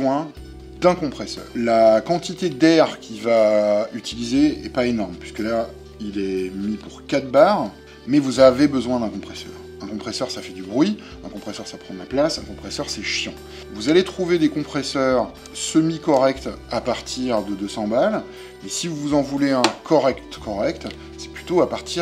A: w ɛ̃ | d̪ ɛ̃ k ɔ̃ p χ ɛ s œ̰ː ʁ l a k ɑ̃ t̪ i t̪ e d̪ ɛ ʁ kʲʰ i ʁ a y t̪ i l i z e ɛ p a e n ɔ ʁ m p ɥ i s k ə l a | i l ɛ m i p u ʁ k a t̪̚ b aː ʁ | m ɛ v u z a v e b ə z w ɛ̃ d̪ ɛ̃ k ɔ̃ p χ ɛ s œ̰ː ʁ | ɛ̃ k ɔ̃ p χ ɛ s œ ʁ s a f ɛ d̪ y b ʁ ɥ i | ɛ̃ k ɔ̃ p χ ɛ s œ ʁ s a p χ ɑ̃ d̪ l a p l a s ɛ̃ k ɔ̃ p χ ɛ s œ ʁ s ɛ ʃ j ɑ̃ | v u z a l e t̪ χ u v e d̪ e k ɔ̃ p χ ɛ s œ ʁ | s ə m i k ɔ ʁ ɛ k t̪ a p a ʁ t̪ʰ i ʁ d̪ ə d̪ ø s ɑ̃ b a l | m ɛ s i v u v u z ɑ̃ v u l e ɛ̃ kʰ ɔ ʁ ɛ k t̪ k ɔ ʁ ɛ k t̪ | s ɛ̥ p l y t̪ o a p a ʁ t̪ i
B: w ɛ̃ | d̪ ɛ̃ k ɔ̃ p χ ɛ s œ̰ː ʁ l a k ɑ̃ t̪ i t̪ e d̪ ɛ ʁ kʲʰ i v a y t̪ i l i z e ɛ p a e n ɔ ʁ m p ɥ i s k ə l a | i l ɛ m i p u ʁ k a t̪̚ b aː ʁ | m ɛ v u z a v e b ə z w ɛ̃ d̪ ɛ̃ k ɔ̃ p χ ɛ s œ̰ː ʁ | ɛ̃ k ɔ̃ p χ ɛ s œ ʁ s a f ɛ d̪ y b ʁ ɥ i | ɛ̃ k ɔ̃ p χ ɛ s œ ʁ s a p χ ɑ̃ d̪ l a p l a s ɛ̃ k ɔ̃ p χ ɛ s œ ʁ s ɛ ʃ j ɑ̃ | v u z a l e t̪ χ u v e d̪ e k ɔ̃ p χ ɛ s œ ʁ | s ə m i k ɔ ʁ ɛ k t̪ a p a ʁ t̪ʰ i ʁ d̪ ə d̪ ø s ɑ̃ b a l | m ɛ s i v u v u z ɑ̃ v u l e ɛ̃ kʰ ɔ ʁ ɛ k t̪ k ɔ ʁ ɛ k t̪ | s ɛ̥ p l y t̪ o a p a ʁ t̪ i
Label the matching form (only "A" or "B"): B